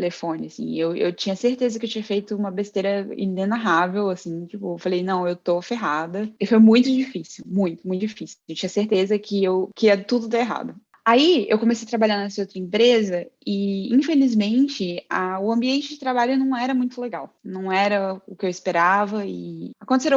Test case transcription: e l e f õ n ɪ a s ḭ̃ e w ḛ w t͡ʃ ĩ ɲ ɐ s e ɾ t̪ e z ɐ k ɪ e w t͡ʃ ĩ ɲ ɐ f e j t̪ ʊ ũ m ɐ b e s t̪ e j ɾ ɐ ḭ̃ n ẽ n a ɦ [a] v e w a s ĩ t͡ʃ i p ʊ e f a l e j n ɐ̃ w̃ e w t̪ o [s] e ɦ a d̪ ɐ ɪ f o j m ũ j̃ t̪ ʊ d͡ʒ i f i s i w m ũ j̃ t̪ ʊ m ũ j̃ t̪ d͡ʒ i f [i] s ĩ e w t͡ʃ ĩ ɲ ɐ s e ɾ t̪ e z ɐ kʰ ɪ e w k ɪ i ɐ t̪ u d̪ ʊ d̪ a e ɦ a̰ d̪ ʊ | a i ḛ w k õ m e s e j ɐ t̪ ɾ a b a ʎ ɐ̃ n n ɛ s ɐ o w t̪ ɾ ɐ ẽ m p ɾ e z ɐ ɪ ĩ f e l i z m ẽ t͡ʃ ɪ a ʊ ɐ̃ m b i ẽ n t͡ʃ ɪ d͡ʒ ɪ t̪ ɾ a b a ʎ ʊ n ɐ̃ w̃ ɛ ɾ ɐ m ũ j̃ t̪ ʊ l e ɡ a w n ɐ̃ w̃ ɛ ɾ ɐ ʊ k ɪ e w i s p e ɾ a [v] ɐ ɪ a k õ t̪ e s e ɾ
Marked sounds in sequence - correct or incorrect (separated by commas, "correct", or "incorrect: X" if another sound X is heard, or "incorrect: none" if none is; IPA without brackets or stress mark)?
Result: correct, incorrect: f, correct, correct